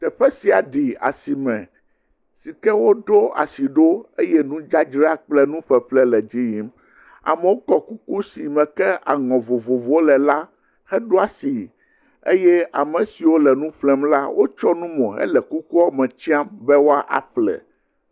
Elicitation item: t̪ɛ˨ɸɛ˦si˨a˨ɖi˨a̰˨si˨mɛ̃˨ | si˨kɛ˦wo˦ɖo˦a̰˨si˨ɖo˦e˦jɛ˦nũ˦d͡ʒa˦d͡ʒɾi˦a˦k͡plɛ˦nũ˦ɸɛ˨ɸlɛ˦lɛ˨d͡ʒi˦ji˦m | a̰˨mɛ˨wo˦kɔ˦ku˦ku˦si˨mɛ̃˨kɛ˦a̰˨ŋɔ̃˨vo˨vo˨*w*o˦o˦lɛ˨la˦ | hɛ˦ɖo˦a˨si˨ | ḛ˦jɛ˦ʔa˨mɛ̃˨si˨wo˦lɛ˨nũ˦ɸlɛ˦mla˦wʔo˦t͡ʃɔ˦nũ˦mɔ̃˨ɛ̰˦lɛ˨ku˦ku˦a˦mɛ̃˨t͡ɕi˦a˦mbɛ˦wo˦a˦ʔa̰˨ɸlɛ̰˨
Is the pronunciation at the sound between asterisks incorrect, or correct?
incorrect